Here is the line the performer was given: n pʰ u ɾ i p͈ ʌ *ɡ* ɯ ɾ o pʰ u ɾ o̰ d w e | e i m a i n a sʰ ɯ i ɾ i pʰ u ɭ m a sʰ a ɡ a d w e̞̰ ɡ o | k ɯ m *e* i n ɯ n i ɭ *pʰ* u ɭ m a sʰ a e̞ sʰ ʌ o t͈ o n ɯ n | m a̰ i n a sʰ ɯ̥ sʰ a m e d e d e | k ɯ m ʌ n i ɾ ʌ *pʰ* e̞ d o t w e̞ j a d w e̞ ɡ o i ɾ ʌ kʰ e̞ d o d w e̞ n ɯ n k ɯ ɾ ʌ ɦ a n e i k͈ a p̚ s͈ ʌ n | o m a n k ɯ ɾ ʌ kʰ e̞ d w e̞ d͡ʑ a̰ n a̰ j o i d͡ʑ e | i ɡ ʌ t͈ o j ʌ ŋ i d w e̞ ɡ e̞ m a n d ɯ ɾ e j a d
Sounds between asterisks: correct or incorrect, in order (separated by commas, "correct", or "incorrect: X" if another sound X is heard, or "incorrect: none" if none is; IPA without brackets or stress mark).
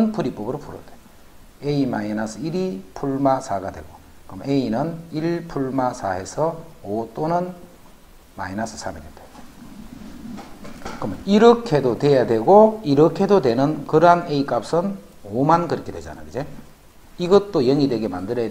incorrect: b, correct, correct, incorrect: kʰ